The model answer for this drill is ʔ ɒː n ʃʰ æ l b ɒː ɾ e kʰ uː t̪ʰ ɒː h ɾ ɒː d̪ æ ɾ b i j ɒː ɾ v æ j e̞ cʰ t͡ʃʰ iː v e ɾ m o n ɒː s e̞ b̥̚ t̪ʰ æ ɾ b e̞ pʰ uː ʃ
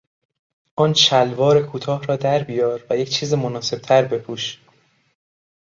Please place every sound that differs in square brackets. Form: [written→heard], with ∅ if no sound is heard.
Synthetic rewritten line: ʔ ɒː n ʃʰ æ l [b→v] ɒː ɾ e kʰ uː t̪ʰ ɒː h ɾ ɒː d̪ æ ɾ b i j ɒː ɾ v æ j e̞ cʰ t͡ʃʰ iː [v→z] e [ɾ→∅] m o n ɒː s e̞ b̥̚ t̪ʰ æ ɾ b e̞ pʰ uː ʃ